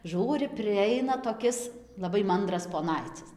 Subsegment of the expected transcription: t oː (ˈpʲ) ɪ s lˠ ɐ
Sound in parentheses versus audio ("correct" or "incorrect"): incorrect